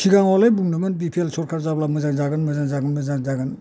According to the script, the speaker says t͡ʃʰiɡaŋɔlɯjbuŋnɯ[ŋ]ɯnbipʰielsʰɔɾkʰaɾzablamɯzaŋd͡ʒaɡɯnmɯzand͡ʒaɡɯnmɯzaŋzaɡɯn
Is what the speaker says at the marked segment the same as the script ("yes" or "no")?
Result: no